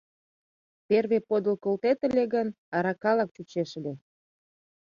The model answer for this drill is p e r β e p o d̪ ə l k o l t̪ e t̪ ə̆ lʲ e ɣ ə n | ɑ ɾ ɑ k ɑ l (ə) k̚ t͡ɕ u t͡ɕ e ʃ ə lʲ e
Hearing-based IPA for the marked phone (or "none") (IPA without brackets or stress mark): ɑ